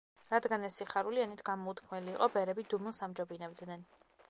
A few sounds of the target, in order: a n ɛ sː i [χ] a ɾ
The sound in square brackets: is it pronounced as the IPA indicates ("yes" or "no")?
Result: yes